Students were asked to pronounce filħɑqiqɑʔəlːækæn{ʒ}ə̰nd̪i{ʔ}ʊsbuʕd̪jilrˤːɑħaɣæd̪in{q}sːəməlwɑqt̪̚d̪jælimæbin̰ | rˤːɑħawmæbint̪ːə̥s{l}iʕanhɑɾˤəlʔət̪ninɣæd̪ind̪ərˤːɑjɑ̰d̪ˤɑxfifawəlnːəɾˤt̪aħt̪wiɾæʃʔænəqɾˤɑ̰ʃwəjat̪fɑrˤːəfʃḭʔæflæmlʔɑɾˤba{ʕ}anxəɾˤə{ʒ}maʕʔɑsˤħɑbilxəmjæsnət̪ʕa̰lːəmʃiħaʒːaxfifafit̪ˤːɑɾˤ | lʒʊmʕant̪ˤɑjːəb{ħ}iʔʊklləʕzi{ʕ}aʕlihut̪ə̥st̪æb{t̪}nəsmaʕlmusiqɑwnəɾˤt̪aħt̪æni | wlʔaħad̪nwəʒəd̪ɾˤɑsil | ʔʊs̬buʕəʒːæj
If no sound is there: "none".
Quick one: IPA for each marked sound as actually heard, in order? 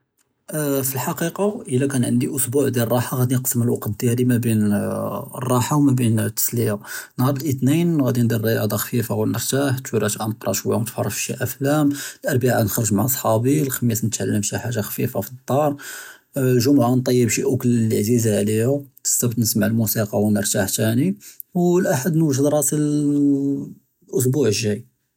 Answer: ʕ, ʔ, q, l, ʕ, ʒ, ʃ, z, t̪

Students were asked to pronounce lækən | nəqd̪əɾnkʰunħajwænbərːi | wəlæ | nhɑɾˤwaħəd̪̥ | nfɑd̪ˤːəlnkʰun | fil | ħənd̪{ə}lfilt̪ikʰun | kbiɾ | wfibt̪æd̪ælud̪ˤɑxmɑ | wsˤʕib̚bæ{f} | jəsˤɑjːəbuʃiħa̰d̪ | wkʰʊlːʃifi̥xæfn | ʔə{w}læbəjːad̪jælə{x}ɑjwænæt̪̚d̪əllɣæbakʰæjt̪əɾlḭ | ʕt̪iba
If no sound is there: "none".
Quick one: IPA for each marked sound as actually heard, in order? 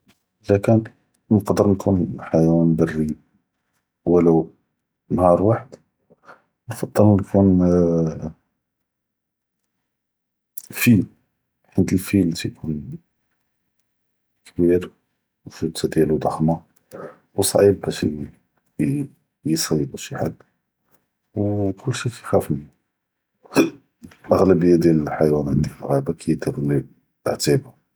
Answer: ə, ʃ, ɣ, ħ

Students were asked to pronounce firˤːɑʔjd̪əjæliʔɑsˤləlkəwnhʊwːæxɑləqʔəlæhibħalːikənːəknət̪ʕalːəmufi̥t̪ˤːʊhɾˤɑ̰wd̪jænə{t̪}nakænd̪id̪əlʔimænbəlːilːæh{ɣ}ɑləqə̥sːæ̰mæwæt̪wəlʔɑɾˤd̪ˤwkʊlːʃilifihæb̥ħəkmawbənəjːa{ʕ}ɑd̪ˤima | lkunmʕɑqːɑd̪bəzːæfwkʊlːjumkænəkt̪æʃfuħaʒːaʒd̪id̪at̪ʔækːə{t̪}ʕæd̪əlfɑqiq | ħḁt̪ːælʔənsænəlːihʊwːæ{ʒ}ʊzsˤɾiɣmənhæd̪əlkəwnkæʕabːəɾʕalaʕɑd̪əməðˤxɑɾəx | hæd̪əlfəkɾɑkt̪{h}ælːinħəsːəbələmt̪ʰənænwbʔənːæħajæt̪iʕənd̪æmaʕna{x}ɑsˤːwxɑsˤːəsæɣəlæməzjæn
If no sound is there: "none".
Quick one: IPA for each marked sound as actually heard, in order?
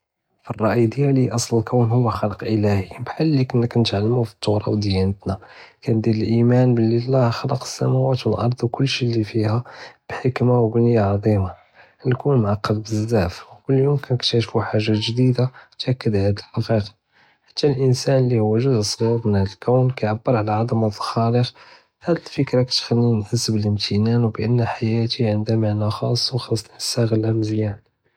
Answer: t̪, x, ʕ, d̪, ʒ, x, x

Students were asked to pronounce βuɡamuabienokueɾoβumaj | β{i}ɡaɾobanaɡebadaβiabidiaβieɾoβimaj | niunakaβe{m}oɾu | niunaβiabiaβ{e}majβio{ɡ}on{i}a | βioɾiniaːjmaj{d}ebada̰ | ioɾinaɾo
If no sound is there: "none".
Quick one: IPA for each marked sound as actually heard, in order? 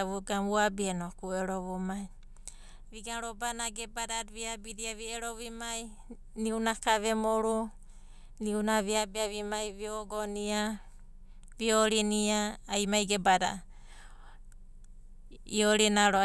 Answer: i, m, i, ɡ, i, ɡ

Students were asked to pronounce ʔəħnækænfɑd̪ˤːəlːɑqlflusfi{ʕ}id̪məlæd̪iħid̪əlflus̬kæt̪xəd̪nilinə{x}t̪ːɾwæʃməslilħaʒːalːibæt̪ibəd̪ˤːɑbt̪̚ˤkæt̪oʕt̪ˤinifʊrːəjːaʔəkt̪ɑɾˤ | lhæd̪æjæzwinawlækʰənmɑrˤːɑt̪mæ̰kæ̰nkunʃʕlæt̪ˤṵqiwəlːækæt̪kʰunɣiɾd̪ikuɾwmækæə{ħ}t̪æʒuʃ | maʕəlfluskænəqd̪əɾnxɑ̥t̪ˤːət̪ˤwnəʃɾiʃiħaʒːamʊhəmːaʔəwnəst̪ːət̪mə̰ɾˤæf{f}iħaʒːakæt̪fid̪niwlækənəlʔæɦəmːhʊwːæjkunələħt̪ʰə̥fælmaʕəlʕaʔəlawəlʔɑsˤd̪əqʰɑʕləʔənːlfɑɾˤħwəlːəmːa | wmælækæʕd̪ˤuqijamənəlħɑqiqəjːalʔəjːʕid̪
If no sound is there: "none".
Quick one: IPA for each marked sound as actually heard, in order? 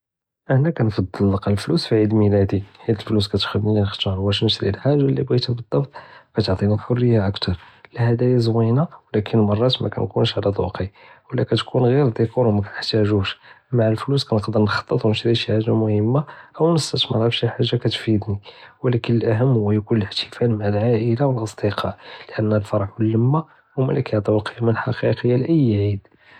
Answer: ʕ, x, ħ, ʃ

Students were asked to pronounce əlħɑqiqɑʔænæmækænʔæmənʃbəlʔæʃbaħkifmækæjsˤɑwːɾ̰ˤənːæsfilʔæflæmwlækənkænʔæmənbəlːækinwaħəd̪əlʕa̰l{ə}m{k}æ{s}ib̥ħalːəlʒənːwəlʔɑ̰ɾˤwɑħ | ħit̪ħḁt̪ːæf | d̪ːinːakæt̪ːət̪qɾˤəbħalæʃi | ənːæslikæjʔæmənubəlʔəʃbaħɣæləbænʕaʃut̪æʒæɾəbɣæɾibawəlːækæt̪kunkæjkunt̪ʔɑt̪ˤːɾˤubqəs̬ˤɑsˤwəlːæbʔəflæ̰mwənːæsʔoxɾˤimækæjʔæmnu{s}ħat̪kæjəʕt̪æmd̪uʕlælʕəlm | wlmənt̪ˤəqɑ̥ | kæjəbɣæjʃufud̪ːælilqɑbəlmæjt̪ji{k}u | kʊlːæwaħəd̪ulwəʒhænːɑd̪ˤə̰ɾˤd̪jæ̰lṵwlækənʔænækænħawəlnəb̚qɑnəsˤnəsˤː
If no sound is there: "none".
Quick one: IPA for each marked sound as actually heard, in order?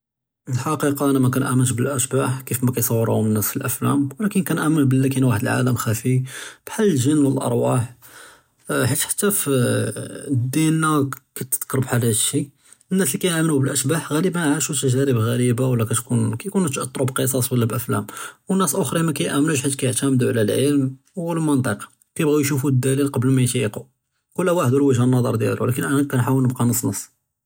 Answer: ə, x, f, ʃ, q

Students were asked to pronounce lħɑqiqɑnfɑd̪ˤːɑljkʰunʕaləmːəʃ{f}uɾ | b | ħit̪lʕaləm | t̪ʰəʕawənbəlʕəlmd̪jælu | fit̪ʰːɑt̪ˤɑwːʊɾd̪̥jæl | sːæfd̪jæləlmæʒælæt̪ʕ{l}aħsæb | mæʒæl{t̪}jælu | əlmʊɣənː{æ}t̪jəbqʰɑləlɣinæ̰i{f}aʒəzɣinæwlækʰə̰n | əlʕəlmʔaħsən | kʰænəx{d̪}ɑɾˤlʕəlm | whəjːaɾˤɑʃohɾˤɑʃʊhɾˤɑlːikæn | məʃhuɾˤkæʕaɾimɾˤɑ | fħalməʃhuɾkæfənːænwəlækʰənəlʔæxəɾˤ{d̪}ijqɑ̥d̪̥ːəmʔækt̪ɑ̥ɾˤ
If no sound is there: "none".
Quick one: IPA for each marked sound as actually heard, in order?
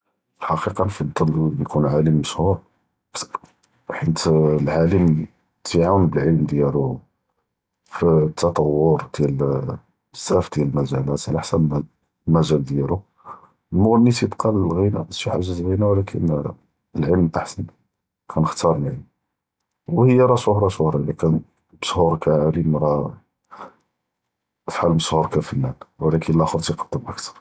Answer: h, l, d̪, i, ħ, t̪, t̪

